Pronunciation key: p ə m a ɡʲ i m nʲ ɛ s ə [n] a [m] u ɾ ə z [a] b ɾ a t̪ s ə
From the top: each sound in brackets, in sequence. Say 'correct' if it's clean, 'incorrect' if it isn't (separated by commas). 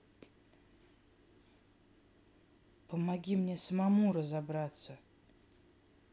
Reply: incorrect, correct, correct